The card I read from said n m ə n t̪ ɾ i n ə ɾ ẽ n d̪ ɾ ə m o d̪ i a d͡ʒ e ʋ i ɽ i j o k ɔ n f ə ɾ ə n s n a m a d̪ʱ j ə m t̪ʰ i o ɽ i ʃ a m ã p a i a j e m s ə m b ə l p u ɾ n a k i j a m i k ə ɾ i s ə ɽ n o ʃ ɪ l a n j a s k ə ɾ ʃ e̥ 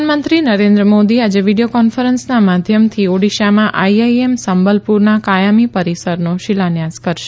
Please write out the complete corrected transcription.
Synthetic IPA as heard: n m ə n t̪ ɾ i n ə ɾ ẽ n d̪ ɾ ə m o d̪ i a d͡ʒ e ʋ i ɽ i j o k ɔ n f ə ɾ ə n s n a m a d̪ʱ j ə m t̪ʰ i o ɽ i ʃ a m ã ʔ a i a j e m s ə m b ə l p u ɾ n a k a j a m i p ə ɾ i s ə ɾ n o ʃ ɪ l a n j a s k ə ɾ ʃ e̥